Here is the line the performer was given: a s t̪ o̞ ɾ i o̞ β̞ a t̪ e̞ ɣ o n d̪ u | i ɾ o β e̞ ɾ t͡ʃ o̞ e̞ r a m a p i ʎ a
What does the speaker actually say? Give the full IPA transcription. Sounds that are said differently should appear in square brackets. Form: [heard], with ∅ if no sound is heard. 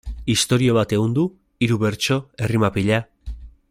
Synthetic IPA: [i] s t̪ o̞ ɾ i o̞ β̞ a t̪ e̞ ɣ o n d̪ u | i ɾ [u] β e̞ ɾ t͡ʃ o̞ e̞ r [i] m a p i ʎ a